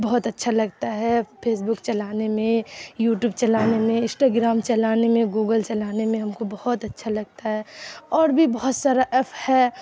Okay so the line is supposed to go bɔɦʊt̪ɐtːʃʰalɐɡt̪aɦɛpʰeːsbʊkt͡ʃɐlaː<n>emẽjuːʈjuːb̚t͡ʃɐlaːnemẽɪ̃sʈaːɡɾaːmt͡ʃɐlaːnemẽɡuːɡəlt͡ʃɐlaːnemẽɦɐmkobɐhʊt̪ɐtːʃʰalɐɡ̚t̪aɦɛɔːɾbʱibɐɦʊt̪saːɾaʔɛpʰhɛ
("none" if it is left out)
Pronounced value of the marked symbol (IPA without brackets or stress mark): n